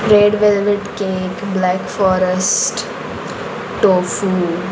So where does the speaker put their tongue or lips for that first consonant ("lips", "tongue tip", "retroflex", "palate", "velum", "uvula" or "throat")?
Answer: tongue tip